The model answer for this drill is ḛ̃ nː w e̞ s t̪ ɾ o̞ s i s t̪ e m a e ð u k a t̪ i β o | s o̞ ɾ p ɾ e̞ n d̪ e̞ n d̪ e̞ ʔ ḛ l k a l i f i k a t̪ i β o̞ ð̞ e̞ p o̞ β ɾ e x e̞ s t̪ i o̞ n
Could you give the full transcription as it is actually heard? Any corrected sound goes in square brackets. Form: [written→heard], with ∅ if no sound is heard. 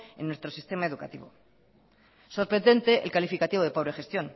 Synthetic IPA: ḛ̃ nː w e̞ s t̪ ɾ o̞ s i s t̪ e m a e ð u k a t̪ i β o | s o̞ ɾ p ɾ e̞ n d̪ e̞ n [d̪→t̪] e̞ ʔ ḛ l k a l i f i k a t̪ i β o̞ ð̞ e̞ p o̞ β ɾ e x e̞ s t̪ [i→j] o̞ n